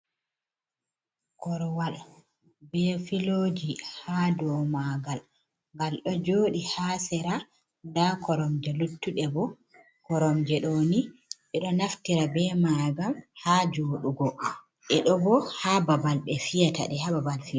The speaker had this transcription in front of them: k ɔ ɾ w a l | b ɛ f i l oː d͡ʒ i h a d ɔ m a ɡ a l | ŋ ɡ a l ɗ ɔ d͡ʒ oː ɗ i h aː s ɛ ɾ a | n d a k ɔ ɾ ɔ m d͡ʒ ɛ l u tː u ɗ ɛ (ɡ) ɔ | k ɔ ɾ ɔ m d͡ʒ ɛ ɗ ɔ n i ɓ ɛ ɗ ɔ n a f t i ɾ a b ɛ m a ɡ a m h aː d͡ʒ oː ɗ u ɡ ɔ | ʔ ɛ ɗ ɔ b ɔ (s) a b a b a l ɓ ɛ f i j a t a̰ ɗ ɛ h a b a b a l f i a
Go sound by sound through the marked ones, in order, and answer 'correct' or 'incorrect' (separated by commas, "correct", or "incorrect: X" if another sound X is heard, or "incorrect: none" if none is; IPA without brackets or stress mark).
incorrect: b, incorrect: h